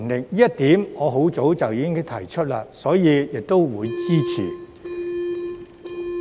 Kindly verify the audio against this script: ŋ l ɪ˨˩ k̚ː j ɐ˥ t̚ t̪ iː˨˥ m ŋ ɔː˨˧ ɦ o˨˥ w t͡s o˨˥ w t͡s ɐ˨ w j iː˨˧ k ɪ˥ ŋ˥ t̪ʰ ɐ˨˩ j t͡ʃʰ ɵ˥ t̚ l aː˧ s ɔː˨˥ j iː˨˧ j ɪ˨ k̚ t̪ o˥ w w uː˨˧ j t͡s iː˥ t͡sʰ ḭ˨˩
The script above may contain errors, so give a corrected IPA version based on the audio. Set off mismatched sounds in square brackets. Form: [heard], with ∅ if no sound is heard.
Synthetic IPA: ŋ l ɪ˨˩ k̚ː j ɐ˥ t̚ t̪ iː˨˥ m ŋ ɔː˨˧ ɦ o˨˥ w t͡s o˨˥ w t͡s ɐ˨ w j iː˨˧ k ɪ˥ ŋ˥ t̪ʰ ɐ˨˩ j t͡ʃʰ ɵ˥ t̚ l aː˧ s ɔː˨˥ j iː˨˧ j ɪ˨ k̚ t̪ o˥ w w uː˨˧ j t͡s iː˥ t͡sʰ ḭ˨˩